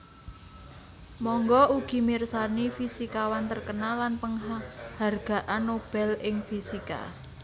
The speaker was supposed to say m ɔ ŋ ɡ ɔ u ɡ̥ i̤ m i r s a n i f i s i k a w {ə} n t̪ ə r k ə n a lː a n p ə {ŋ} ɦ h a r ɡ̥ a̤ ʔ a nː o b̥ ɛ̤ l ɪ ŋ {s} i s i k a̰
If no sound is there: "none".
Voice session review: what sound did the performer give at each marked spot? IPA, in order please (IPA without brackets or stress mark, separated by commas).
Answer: a, ŋ, f